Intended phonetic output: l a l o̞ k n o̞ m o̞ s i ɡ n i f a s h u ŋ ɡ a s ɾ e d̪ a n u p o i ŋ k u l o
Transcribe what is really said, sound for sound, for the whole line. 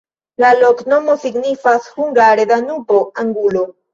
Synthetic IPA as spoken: l a l o̞ k n o̞ m o̞ s i ɡ n i f a s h u ŋ ɡ a ɾ e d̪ a n u p o a ŋ ɡ u l o

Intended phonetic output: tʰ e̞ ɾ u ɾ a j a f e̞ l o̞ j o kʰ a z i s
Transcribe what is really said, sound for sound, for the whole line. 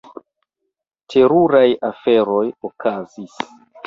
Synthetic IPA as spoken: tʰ e̞ ɾ u ɾ a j a f e̞ ɾ o̞ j o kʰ a z i s

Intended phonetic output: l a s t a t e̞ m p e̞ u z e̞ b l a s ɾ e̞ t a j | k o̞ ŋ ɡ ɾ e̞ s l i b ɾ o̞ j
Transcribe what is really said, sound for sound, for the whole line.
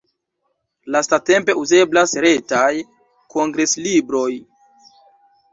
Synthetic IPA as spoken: l a s t a t e̞ m p e̞ u z e̞ b l a s ɾ e̞ t a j | k o̞ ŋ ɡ ɾ e̞ s l i b ɾ o̞ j

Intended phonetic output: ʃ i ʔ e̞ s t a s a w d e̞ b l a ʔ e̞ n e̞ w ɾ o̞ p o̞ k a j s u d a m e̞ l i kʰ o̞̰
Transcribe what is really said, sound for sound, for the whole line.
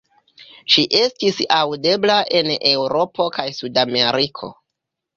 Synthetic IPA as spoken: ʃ i ʔ e̞ s t i s a w d e̞ b l a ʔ e̞ n e̞ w ɾ o̞ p o̞ k a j s u d a m e̞ ɾ i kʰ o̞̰

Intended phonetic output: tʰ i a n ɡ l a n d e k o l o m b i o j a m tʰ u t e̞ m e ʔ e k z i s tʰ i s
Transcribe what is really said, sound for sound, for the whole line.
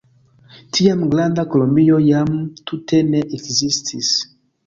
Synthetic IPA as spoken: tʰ i a m ɡ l a n d a k o l o m b i o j a m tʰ u t e̞ n e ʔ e k z i s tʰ i s

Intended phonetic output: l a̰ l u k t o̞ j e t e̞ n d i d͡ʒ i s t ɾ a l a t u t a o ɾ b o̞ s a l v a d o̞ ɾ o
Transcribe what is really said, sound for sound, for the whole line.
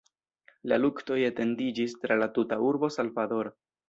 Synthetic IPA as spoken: l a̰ l u k t o̞ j e t e̞ n d i d͡ʒ i s t ɾ a l a t u t a u ɾ b o̞ s a l v a d o̞ ɾ o

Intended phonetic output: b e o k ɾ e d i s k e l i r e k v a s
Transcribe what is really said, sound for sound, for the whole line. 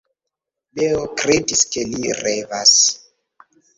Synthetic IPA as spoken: b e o k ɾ e d i s k e l i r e v a s

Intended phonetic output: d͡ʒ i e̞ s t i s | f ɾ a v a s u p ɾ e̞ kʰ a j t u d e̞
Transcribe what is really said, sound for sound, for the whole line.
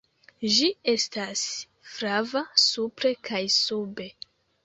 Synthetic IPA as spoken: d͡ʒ i e̞ s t a s | f ɾ a v a s u p ɾ e̞ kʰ a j s u b e̞

